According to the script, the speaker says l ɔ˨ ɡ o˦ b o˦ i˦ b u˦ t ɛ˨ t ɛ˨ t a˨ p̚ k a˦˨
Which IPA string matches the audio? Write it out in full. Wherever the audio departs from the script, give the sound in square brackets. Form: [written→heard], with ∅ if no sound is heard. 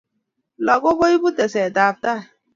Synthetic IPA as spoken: l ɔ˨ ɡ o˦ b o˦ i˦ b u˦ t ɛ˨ [t→s] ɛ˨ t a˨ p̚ [k→t] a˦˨

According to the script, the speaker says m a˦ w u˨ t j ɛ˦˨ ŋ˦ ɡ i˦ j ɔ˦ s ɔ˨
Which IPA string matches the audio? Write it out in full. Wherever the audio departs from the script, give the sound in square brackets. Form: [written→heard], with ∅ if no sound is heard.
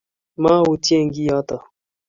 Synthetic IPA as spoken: m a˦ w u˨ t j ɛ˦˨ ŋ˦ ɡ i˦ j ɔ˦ [s→t] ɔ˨

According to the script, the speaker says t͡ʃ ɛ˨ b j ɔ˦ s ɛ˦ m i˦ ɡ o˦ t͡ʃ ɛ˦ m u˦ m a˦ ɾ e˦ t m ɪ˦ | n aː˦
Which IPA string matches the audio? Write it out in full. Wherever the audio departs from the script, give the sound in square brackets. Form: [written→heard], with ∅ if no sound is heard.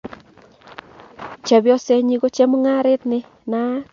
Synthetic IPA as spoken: t͡ʃ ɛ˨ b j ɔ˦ s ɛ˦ [m→ɲ] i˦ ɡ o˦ t͡ʃ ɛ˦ m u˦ [m→ŋ] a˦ ɾ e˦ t [m→n] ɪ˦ | n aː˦

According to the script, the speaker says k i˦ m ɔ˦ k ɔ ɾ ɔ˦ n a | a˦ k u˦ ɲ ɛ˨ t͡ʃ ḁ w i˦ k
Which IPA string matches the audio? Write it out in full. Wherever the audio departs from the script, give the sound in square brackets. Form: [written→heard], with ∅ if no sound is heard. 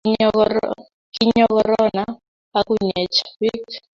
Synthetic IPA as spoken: k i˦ [m→ɲ] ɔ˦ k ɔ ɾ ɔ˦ n a | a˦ k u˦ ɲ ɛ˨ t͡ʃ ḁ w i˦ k

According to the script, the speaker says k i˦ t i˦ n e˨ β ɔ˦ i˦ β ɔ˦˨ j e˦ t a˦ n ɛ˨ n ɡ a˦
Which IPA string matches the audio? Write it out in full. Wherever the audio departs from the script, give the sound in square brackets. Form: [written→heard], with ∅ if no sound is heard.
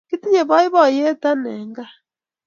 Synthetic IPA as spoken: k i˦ t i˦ [n→ɲ] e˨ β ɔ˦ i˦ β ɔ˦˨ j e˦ t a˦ n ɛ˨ [n→ŋ] ɡ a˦

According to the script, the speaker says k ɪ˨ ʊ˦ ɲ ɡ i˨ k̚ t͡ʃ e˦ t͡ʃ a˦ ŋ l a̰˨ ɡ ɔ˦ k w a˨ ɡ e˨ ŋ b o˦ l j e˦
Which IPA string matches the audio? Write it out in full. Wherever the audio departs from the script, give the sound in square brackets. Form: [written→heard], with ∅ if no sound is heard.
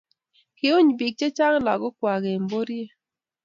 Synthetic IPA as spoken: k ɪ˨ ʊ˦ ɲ [ɡ→b] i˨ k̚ t͡ʃ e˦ t͡ʃ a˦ ŋ l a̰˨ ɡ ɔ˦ k w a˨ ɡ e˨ [ŋ→m] b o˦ [l→ɾ] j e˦

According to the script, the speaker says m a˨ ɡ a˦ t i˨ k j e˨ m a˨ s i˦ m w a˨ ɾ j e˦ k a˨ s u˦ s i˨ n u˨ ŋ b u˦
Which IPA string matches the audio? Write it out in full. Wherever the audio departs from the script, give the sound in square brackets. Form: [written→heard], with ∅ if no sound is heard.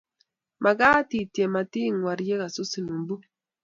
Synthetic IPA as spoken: m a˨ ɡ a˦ t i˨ [k→t] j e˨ m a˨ [s→t] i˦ [m→ŋ] w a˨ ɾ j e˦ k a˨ s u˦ s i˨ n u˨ [ŋ→m] b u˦

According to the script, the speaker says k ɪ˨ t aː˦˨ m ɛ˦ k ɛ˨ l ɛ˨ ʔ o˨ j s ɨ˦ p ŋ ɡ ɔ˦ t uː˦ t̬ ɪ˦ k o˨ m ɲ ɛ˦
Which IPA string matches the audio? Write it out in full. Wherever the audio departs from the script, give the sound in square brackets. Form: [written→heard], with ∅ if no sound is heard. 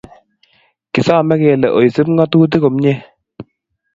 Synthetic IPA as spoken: k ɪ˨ [t→s] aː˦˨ m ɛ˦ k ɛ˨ l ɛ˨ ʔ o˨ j s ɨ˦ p ŋ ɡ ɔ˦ t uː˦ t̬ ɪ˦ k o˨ m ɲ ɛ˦

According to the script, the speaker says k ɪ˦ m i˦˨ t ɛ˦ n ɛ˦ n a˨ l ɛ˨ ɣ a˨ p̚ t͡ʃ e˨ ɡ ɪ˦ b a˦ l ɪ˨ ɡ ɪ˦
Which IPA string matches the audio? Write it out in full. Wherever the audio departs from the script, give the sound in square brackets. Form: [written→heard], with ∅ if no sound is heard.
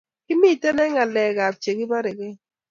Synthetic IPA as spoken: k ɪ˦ m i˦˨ t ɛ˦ n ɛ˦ [n→ŋ] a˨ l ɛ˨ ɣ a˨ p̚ t͡ʃ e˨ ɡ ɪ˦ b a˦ [l→ɾ] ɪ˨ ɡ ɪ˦

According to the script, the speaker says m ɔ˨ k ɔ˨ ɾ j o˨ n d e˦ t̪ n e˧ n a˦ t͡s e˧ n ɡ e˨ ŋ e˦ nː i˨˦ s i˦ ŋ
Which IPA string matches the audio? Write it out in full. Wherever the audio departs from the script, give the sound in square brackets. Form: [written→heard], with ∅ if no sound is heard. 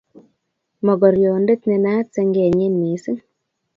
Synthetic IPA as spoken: m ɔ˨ [k→ɡ] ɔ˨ ɾ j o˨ n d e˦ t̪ n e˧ n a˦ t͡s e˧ [n→ŋ] ɡ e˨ [ŋ→ɲ] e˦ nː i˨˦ s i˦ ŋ

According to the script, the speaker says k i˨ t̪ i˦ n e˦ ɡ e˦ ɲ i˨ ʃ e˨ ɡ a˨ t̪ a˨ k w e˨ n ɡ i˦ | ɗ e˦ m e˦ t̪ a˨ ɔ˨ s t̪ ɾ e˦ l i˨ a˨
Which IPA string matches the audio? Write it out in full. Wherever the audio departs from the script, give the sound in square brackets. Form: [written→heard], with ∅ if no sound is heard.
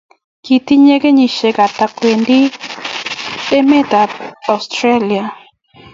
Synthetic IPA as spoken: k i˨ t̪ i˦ [n→ɲ] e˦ ɡ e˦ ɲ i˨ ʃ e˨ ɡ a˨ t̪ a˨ k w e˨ n [ɡ→d] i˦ | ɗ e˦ m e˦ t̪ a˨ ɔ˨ s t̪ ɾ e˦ l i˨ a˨

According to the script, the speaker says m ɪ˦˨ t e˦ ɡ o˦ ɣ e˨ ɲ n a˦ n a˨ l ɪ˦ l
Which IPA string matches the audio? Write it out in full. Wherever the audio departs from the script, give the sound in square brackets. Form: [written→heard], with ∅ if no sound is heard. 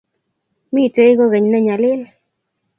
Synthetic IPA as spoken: m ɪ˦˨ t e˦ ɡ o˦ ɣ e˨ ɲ n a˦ [n→ɲ] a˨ l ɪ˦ l

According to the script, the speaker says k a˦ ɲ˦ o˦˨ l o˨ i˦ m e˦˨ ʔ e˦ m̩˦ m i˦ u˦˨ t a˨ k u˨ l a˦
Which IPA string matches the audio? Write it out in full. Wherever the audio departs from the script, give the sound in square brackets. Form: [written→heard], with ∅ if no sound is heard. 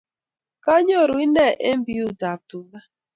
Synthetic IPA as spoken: k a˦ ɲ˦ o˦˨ [l→ɾ] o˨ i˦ [m→n] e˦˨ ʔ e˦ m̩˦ [m→b] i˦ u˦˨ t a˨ [k→t] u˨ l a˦

